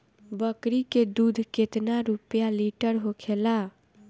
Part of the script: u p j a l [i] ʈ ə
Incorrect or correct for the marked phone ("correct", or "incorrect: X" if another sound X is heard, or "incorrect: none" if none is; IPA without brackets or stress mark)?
correct